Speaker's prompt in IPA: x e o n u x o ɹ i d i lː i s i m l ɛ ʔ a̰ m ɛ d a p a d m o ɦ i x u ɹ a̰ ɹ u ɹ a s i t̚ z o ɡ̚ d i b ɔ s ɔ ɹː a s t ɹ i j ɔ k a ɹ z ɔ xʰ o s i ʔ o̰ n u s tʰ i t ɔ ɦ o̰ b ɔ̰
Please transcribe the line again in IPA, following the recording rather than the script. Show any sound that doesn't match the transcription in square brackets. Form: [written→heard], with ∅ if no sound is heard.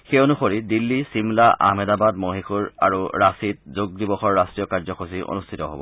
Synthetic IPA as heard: x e o n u x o ɹ i d i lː i s i m l [ɛ→a] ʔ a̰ m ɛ d a [p→b] a d m o ɦ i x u ɹ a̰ ɹ u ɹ a s i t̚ z o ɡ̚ d i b ɔ [s→x] ɔ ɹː a s t ɹ i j ɔ k a ɹ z ɔ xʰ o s i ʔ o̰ n u s tʰ i t ɔ ɦ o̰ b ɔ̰